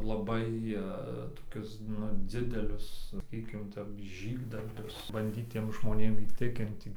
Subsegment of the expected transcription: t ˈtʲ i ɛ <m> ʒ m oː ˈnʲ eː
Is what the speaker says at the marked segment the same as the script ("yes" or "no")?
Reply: yes